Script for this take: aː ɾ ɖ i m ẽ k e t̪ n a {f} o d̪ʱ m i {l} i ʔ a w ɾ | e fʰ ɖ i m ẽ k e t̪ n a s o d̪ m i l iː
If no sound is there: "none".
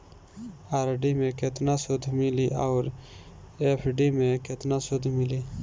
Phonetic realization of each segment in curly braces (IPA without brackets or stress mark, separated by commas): s, l